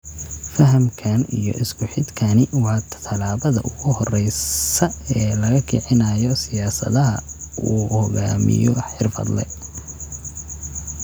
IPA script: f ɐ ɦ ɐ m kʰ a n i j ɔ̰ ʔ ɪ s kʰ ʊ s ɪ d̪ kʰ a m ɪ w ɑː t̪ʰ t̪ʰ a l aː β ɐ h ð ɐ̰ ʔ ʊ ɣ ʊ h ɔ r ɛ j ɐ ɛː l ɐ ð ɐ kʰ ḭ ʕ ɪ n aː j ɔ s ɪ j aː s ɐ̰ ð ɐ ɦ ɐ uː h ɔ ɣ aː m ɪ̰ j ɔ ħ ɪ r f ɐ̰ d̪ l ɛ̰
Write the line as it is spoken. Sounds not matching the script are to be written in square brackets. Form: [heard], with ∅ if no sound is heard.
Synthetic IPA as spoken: f ɐ ɦ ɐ m kʰ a n i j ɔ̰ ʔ ɪ s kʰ ʊ [ħ] ɪ d̪ kʰ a [n] ɪ w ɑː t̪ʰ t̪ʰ [ɐ] l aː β ɐ [∅] ð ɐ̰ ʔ ʊ ɣ ʊ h ɔ r ɛ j ɐ ɛː l ɐ [ɣ] ɐ kʰ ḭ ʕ ɪ n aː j ɔ s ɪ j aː s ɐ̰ ð ɐ ɦ ɐ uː h ɔ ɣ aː m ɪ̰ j ɔ ħ ɪ r f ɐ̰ d̪ l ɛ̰